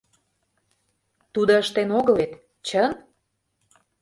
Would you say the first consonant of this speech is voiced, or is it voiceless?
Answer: voiceless